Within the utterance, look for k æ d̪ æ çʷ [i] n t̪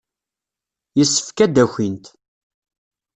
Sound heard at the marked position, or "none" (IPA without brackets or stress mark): i